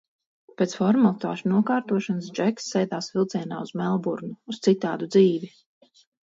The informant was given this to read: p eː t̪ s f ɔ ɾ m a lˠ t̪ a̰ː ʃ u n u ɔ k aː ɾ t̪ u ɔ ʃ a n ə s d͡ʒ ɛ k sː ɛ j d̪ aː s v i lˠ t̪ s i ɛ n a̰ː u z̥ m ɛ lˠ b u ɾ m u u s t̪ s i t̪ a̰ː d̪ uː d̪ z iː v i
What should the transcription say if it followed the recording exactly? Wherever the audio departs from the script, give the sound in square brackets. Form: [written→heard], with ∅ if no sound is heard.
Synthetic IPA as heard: p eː t̪ s f ɔ ɾ m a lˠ t̪ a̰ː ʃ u n u ɔ k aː ɾ t̪ u ɔ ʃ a n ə s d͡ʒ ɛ k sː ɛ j d̪ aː s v i lˠ t̪ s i ɛ n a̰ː u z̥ m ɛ lˠ b u ɾ [m→n] u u s t̪ s i t̪ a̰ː d̪ [uː→u] d̪ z iː v i